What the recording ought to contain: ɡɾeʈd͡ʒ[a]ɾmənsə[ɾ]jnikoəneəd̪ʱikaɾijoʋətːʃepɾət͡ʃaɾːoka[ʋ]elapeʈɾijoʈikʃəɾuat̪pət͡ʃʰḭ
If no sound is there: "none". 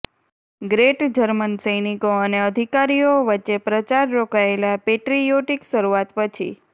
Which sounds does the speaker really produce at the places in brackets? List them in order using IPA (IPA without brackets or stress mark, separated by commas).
ə, none, none